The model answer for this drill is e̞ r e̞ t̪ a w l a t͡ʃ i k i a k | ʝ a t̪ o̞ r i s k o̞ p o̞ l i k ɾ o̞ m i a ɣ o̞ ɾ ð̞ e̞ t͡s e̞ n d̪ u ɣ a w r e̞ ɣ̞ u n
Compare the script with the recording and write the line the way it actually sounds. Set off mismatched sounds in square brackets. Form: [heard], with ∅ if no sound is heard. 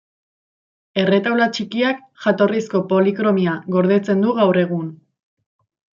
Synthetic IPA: e̞ r e̞ t̪ a w l a t͡ʃ i k i a k | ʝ a t̪ o̞ r i s k o̞ p o̞ l i k ɾ o̞ m i a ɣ o̞ ɾ ð̞ e̞ t͡s e̞ n d̪ u ɣ a w r e̞ ɣ̞ u n